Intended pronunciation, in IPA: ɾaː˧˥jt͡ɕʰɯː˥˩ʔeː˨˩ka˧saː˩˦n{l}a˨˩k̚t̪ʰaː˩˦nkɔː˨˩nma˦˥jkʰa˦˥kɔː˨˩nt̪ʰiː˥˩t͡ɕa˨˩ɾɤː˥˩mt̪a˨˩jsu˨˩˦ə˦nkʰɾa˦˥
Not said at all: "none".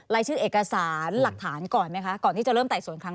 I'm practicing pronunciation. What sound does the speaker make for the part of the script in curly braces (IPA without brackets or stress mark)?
l